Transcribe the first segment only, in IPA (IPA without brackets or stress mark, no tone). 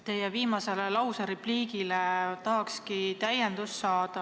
t̪